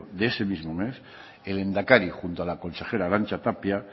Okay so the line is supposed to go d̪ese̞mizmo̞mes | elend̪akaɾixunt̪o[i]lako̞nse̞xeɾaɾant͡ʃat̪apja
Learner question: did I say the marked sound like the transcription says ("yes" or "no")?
no